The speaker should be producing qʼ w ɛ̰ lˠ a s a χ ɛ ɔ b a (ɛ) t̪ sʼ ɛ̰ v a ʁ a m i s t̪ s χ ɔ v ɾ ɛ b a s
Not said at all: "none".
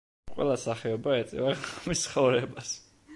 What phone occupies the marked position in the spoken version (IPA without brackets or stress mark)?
ɛ